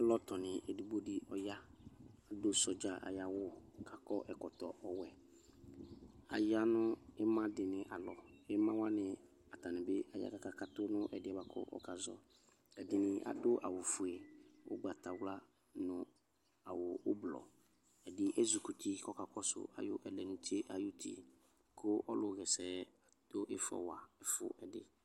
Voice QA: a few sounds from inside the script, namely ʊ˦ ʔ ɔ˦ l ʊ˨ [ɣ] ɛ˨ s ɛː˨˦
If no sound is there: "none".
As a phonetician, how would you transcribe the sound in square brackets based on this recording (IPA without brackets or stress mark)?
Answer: ɣ